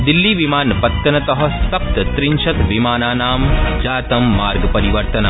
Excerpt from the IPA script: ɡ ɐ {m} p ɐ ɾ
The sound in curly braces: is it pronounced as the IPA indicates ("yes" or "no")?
no